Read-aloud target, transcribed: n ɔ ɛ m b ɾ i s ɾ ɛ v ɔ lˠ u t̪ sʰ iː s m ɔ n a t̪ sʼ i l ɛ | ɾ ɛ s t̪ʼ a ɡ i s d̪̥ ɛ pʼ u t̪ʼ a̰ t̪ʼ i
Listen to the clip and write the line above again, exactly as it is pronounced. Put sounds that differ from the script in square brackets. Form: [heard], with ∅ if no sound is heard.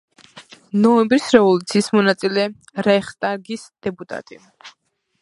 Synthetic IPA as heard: n ɔ ɛ m b ɾ i s ɾ ɛ v ɔ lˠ u t̪ sʰ iː s m ɔ n a t̪ sʼ i l ɛ | ɾ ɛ [χ] t̪ʼ a ɡ i s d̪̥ ɛ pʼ u t̪ʼ a̰ t̪ʼ i